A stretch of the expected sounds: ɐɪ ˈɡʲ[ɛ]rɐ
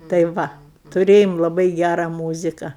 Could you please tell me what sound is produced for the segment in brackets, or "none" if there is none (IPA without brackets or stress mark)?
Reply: æ